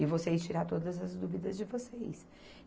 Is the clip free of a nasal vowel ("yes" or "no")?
yes